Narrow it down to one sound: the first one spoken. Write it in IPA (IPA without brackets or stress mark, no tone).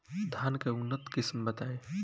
d̪ʱ